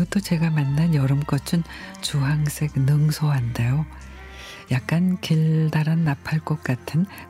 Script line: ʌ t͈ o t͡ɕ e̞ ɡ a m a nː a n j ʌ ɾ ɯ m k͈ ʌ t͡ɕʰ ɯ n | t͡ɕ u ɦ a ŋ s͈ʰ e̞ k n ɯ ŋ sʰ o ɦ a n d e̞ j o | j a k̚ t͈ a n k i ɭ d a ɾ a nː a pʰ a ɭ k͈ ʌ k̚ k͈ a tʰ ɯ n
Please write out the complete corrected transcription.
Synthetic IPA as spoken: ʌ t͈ o t͡ɕ e̞ ɡ a m a nː a n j ʌ ɾ ɯ m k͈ ʌ t͡ɕʰ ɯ n | t͡ɕ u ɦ a ŋ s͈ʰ e̞ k n ɯ ŋ sʰ o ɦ a n d e̞ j o | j a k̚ k͈ a n k i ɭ d a ɾ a nː a pʰ a ɭ k͈ ʌ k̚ k͈ a tʰ ɯ n